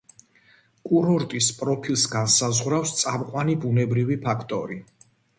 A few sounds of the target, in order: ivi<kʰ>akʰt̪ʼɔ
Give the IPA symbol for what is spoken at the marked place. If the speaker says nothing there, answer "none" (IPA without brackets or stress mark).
pʰ